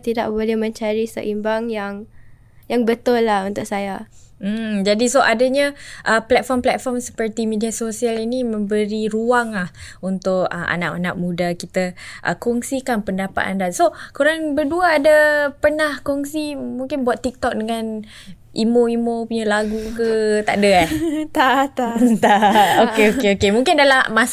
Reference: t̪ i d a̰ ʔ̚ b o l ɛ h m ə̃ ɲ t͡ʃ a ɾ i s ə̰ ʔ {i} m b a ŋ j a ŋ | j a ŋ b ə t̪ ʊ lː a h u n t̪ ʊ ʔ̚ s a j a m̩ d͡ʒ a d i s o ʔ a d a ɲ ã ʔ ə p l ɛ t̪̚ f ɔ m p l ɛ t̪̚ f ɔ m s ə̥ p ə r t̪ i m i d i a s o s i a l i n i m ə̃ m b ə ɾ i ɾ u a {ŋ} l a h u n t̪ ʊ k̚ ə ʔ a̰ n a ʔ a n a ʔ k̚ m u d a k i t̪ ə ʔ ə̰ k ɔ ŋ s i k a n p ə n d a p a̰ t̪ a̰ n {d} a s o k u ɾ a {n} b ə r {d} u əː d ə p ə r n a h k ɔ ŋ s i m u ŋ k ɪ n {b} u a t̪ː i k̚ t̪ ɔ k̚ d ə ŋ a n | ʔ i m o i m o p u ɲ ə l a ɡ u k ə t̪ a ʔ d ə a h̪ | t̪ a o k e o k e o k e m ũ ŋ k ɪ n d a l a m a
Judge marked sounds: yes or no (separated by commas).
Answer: yes, yes, yes, no, yes, yes